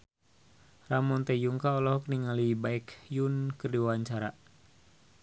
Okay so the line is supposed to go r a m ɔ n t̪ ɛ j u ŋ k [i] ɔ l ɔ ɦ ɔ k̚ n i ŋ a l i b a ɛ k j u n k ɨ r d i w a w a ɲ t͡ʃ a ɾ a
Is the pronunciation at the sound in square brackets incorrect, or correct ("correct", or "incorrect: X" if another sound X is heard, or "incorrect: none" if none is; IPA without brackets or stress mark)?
incorrect: a